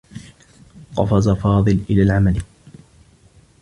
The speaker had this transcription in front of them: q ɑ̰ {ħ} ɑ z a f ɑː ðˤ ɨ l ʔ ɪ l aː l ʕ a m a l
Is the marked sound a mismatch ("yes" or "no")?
yes